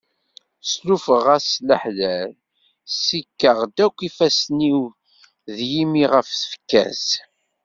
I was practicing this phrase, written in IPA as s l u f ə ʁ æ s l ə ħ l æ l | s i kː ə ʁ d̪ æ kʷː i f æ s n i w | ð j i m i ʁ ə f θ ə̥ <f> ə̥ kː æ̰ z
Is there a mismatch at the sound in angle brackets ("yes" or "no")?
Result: no